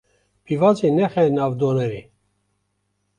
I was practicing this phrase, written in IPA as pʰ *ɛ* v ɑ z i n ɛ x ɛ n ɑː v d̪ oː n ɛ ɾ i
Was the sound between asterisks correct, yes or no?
no